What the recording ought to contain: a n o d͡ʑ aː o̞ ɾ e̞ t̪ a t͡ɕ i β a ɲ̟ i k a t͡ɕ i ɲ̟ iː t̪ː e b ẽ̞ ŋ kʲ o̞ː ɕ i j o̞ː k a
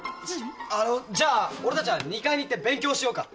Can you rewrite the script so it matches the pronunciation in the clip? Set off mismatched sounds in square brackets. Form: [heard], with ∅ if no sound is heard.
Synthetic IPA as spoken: a n o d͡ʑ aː o̞ ɾ e̞ t̪ a t͡ɕ i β a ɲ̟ i k a [∅] i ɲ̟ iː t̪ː e b ẽ̞ ŋ kʲ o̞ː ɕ i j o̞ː k a